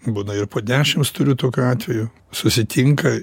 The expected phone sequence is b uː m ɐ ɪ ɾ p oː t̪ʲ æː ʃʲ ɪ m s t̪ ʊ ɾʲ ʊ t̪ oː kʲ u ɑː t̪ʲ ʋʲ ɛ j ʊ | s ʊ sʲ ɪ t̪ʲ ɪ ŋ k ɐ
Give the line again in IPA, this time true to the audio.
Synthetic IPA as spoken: b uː n ɐ ɪ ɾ p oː d̪ʲ æː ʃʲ ɪ m s t̪ ʊ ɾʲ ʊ t̪ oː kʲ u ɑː t̪ʲ ʋʲ ɛ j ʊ | s ʊ sʲ ɪ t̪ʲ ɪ ŋ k ɐ